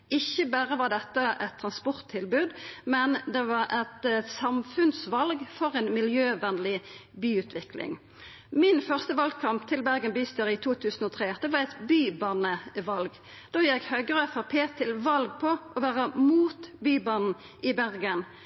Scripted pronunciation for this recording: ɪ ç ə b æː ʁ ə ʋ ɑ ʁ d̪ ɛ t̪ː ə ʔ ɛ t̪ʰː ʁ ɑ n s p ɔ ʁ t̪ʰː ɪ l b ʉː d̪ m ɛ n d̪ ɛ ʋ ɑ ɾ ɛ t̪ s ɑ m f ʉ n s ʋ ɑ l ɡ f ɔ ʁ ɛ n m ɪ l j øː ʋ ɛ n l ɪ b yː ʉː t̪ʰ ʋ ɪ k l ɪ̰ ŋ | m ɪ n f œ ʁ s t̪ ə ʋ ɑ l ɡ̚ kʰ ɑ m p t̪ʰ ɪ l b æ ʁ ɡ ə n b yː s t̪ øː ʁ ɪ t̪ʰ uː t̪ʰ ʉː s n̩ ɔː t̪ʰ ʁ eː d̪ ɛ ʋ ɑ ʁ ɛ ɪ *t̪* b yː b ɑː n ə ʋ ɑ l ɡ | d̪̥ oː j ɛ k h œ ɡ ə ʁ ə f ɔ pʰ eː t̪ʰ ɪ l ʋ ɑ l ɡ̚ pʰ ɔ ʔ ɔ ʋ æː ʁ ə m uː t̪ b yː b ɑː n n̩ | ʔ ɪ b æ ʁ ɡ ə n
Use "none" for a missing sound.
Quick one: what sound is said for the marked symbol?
t̪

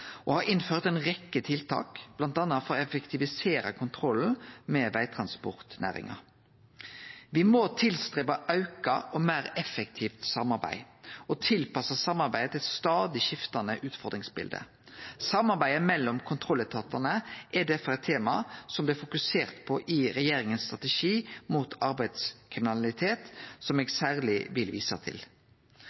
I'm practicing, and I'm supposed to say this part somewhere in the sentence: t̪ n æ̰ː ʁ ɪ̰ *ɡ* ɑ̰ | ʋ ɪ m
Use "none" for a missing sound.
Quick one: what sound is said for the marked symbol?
ŋ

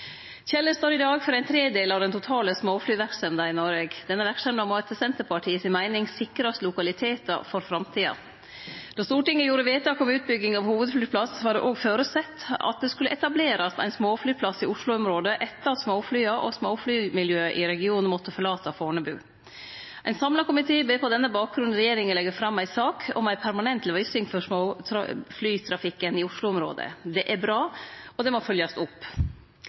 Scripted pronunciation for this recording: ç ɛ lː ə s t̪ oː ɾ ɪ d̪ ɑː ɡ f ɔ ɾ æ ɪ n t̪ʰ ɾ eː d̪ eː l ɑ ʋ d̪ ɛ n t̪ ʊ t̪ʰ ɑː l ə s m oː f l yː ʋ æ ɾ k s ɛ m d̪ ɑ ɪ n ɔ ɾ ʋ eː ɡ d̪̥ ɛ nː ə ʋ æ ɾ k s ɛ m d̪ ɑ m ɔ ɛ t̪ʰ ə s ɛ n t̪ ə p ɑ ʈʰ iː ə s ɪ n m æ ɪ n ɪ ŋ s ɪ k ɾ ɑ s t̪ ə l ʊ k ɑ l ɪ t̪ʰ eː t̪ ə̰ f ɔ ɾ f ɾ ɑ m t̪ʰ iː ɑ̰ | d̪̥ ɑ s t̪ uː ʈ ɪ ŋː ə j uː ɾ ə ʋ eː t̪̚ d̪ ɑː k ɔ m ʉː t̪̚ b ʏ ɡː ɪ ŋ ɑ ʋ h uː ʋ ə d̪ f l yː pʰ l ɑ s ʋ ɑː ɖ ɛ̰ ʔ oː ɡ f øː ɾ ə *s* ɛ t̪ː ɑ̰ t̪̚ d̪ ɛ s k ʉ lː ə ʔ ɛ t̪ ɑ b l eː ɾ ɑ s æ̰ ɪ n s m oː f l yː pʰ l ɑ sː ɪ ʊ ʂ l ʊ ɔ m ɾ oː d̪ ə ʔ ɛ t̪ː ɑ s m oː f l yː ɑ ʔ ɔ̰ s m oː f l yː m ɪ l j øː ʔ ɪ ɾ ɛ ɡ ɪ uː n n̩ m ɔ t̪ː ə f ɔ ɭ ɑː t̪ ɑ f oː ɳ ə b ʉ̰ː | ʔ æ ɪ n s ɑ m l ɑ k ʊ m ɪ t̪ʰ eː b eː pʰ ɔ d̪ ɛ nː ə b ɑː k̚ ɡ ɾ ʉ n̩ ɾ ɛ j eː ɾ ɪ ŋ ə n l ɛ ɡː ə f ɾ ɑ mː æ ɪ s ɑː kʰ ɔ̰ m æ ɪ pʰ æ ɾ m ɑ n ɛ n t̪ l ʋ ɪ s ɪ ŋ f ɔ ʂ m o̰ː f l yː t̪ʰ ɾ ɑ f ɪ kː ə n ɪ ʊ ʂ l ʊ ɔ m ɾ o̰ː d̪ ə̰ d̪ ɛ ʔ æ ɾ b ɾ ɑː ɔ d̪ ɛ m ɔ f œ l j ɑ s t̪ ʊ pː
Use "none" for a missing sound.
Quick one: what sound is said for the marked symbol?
s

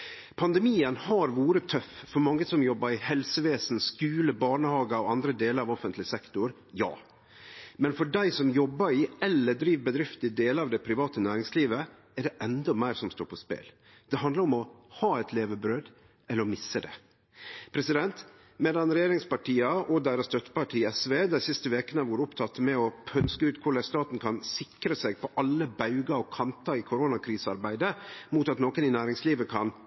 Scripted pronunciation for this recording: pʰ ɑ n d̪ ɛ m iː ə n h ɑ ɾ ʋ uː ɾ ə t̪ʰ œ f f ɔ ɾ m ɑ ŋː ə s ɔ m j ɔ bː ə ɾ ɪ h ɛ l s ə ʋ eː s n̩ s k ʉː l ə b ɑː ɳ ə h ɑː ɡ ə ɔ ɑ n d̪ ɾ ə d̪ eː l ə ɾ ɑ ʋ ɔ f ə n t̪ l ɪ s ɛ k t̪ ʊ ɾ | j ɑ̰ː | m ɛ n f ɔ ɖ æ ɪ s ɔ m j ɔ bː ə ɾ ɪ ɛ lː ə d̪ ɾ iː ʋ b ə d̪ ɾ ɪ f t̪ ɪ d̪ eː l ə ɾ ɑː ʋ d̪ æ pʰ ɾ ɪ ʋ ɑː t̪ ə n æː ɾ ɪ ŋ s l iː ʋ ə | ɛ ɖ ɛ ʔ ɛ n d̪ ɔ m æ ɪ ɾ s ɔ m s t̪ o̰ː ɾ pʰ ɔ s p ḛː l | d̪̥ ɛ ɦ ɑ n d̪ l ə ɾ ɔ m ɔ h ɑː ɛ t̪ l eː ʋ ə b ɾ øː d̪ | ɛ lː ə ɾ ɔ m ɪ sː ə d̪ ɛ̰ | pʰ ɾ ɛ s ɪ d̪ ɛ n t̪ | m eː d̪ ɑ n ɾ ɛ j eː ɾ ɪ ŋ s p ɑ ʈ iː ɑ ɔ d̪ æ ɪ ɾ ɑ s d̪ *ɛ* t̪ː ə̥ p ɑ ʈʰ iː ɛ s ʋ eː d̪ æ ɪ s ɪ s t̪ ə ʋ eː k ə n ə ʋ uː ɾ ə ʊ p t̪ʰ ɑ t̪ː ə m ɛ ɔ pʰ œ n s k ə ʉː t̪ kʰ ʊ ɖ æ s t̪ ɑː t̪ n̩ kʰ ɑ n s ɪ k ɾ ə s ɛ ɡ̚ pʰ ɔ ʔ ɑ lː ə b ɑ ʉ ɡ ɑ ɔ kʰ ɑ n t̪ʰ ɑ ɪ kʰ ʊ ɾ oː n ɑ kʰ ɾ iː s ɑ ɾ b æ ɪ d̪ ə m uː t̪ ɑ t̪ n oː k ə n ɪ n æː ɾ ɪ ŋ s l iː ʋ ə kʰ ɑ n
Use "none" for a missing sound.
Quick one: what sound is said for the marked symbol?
œ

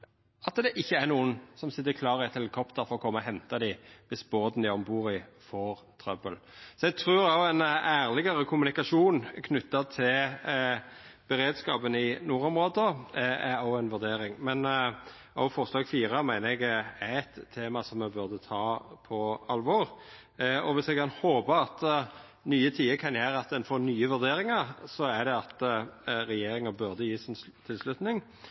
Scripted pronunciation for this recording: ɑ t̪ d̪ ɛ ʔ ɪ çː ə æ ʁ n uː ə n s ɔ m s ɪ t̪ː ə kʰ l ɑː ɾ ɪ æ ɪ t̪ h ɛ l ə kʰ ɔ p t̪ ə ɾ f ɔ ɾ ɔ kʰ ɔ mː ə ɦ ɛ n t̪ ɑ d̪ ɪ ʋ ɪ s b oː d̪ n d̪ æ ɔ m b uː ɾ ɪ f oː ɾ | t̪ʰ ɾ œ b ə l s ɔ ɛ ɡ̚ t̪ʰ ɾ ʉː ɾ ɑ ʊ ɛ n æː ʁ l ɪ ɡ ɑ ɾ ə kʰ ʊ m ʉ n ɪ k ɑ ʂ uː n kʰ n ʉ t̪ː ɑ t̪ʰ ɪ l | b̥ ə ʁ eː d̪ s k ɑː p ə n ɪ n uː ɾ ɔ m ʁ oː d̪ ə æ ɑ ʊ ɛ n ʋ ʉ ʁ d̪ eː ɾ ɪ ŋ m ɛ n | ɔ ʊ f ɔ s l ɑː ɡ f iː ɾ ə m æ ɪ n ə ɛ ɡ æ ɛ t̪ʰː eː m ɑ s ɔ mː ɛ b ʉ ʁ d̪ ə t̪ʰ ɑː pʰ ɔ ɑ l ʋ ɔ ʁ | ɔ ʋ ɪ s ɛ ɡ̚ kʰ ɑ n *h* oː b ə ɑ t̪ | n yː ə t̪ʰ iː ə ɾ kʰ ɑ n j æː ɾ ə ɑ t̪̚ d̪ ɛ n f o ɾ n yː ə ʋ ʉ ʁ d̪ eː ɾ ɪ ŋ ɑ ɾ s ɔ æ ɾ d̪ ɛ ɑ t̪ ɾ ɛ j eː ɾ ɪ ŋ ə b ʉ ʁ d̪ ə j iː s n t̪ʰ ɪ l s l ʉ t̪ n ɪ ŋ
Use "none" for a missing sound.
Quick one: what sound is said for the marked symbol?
h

